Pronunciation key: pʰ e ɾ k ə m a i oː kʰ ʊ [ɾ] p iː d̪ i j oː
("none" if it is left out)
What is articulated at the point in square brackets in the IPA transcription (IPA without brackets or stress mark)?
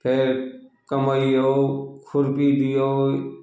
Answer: ɾ